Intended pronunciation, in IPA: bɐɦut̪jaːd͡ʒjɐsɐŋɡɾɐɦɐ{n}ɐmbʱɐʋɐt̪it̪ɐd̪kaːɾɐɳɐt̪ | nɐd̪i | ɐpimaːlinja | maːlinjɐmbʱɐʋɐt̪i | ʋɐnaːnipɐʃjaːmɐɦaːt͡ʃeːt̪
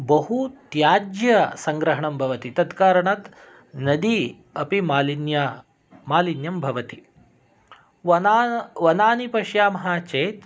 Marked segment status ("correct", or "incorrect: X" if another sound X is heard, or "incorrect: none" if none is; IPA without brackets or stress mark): incorrect: ɳ